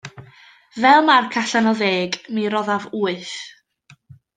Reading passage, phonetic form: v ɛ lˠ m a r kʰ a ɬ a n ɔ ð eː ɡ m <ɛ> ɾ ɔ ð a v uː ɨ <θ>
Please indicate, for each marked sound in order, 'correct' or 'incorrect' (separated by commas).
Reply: incorrect, correct